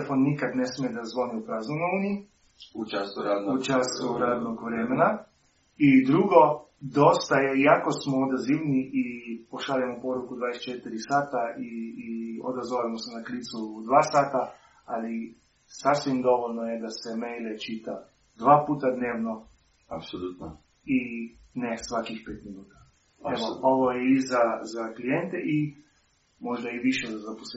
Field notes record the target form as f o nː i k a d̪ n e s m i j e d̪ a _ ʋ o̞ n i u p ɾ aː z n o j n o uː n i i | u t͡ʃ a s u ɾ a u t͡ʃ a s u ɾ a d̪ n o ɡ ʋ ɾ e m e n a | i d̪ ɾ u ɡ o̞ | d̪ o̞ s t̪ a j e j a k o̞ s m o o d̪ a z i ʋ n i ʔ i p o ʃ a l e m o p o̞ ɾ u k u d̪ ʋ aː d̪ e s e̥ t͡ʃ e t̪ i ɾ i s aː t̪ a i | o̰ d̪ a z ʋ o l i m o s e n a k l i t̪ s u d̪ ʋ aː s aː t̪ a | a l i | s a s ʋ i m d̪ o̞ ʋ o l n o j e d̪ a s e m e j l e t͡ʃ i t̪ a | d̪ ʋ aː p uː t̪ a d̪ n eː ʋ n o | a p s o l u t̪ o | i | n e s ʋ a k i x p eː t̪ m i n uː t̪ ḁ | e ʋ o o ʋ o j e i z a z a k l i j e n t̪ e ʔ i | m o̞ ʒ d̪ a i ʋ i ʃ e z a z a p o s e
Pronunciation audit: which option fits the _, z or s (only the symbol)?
z